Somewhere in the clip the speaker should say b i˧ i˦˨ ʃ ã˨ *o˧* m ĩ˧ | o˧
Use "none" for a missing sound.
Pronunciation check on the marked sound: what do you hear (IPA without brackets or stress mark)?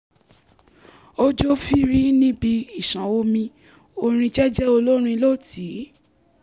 o˧